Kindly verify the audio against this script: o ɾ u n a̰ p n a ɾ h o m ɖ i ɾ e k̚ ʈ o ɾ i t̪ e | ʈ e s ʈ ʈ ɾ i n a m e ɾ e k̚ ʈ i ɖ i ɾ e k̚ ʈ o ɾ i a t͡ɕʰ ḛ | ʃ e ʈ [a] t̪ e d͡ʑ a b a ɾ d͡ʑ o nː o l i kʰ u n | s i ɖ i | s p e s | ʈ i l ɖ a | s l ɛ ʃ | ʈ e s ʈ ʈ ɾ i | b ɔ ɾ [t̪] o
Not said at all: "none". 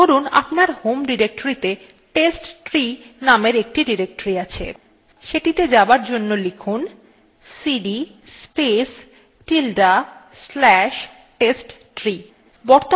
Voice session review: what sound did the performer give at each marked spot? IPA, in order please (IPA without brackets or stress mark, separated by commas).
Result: i, t̪